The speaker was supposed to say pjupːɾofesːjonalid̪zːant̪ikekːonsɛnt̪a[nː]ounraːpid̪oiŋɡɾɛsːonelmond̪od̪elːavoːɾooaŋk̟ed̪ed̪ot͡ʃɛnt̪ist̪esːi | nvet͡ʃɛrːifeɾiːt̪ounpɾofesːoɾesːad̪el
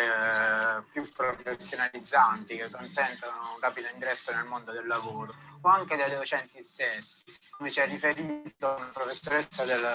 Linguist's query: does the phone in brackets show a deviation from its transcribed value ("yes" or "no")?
yes